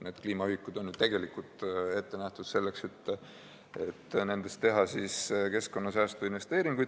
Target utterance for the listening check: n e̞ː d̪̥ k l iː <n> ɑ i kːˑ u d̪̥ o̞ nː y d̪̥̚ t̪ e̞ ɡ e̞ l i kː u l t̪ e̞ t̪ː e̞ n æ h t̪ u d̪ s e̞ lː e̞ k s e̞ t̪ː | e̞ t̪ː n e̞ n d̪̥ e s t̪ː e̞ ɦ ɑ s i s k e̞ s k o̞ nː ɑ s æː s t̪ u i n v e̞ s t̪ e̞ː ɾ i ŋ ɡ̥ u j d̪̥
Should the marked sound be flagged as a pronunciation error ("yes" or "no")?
yes